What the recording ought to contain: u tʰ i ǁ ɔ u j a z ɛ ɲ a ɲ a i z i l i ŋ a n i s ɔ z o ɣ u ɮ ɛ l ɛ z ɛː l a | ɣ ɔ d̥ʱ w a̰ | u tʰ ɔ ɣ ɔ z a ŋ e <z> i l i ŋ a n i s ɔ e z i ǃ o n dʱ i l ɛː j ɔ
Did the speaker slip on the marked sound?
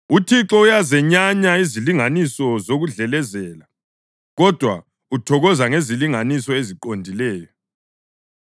no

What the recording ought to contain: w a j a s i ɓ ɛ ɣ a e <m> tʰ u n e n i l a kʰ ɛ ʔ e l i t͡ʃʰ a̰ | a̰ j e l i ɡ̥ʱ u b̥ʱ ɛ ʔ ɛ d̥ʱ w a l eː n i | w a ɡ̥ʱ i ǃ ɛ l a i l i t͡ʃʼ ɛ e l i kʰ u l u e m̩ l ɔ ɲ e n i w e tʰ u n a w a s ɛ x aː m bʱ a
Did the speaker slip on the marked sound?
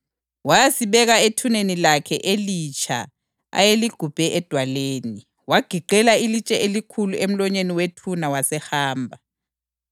yes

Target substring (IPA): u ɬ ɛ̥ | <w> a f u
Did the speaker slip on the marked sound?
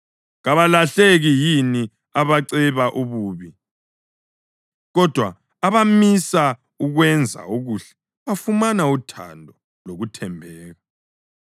yes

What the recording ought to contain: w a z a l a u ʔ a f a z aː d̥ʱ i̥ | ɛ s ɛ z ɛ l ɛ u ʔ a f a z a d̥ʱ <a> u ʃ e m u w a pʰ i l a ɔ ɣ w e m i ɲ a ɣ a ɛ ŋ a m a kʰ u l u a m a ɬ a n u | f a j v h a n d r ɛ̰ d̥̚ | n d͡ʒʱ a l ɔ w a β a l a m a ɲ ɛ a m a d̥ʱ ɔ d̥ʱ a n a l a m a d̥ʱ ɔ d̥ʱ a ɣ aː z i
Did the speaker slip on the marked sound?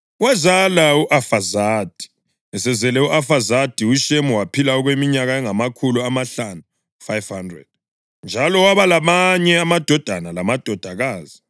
yes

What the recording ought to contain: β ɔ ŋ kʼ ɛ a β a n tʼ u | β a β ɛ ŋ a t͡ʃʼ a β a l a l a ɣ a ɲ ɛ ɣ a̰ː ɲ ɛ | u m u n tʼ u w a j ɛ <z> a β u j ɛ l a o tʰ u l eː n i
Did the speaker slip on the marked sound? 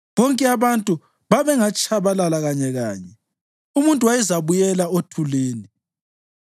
no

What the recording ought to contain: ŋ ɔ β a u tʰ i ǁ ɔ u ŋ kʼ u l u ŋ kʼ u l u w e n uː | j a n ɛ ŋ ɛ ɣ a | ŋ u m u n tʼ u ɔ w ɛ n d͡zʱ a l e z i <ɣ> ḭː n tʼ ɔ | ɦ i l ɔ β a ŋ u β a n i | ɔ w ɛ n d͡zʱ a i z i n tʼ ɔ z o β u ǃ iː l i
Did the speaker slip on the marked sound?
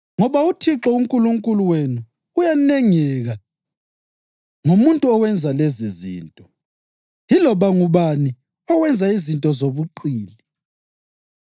yes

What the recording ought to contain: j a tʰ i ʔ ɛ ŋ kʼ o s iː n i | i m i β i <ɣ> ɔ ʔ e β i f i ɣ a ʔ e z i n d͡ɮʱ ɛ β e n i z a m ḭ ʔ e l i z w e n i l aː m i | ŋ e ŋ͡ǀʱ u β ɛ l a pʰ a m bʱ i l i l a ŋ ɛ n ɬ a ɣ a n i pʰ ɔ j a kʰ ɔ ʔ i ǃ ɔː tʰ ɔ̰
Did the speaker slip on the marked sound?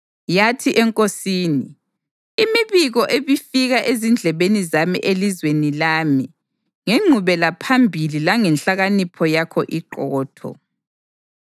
no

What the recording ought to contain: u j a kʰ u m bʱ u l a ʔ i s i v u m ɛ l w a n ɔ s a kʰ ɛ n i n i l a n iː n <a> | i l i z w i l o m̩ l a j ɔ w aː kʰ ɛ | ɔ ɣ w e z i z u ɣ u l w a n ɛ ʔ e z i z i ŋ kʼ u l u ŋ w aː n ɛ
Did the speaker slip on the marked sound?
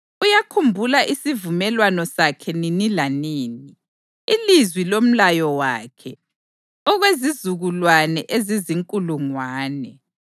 yes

